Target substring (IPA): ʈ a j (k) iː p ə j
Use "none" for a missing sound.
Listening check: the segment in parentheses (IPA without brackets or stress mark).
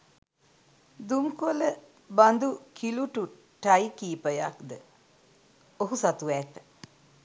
k